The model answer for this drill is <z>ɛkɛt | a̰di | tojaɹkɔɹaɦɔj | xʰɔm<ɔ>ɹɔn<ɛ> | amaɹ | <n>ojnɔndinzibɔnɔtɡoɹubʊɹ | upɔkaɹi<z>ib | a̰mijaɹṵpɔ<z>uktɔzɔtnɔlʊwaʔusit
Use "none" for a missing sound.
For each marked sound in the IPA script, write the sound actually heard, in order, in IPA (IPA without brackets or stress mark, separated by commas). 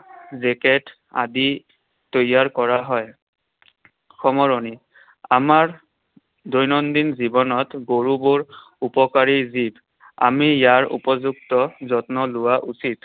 z, ɔ, i, d, z, z